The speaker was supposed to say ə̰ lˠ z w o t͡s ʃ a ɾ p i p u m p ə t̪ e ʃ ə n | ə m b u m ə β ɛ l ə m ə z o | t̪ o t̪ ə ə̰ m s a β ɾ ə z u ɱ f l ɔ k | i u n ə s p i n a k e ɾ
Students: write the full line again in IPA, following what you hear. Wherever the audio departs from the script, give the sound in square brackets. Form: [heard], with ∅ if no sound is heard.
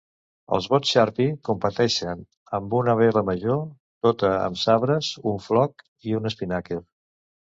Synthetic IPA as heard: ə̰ lˠ z [β] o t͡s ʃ a ɾ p i [k] u m p ə t̪ [ɛ] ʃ ə n | ə m b u [n] ə β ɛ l ə m ə [ʒ] o | t̪ o t̪ ə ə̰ m s a β ɾ ə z u ɱ f l ɔ k | i u n ə s p i n a k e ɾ